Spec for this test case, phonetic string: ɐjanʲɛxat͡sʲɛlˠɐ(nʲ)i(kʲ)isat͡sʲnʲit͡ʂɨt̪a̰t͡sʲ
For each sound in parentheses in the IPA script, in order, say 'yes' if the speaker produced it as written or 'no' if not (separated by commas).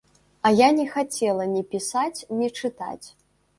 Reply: yes, no